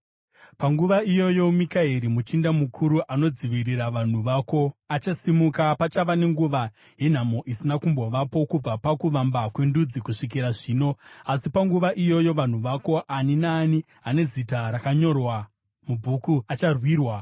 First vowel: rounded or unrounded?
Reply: unrounded